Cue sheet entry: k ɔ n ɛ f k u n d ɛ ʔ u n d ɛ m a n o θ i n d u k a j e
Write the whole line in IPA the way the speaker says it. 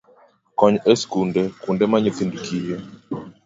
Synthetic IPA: k ɔ ɲ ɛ s k u n d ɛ k u n d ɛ m a ɲ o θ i n d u k i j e